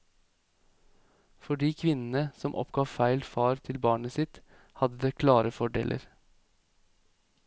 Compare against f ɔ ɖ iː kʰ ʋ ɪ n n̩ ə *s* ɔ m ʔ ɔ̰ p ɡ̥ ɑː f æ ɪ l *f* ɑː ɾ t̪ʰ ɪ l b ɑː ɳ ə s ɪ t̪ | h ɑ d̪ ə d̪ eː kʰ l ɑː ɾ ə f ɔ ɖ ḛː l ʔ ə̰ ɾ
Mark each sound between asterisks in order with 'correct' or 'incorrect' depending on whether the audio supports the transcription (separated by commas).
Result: correct, correct